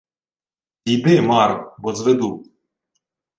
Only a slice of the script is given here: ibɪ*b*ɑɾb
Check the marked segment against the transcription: incorrect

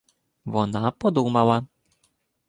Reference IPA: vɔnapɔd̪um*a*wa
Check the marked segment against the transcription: correct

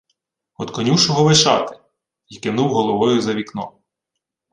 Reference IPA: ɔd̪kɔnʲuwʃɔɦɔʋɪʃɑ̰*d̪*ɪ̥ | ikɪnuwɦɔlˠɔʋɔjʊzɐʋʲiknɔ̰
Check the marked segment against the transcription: incorrect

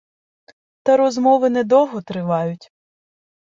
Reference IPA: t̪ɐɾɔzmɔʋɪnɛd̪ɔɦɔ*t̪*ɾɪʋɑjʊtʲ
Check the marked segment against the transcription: correct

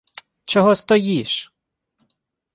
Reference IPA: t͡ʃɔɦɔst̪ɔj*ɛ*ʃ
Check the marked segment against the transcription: incorrect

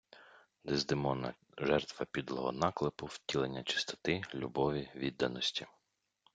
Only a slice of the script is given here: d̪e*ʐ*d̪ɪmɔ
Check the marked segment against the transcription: incorrect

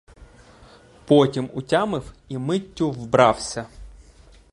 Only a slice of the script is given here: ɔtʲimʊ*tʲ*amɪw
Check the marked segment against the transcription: correct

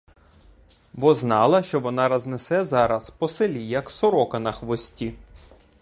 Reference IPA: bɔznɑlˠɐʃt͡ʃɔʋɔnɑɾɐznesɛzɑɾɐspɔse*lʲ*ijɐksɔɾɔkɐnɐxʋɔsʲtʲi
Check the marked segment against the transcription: correct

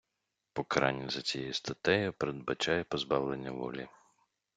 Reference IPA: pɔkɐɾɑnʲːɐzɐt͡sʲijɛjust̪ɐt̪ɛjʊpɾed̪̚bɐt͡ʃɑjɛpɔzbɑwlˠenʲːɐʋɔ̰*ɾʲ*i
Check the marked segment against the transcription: incorrect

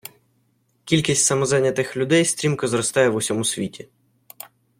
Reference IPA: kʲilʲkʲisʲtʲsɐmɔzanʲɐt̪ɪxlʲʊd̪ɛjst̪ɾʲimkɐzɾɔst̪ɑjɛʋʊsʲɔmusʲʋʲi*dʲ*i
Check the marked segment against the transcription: incorrect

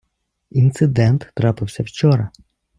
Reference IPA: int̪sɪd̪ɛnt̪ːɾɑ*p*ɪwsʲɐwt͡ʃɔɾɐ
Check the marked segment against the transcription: correct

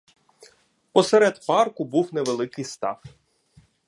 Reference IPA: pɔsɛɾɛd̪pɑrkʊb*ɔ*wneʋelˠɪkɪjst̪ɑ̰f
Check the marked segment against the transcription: incorrect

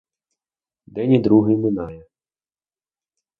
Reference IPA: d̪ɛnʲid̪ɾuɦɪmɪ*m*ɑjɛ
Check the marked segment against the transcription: incorrect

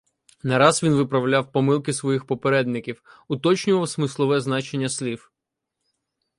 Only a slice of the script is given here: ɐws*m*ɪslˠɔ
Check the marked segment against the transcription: correct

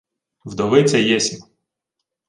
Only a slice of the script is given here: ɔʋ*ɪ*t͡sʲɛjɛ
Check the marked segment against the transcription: correct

